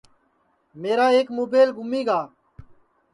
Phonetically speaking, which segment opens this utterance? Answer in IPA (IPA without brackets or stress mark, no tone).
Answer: m